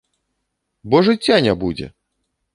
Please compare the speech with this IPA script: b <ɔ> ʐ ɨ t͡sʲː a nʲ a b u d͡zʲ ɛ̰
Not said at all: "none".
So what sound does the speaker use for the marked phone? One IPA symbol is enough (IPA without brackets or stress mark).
ɔ